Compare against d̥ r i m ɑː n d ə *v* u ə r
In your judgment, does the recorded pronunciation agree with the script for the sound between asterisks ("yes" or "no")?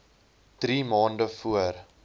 no